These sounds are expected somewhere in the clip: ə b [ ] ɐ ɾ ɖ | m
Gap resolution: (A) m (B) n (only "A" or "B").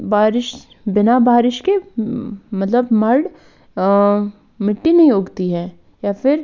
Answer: A